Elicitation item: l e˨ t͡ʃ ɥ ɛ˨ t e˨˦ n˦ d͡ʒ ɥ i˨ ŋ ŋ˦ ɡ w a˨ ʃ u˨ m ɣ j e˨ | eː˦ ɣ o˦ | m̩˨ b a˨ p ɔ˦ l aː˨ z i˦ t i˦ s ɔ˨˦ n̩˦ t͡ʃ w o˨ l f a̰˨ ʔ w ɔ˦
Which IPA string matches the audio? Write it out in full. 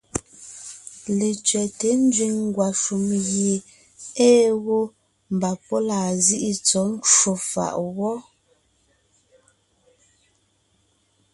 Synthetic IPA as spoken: l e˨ t͡ʃ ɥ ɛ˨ t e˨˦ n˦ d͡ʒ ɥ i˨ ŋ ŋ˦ ɡ w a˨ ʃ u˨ m ɣ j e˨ | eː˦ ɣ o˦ | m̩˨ b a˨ p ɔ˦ l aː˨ z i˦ ʔ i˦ t͡s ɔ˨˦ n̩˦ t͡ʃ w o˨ f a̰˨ ʔ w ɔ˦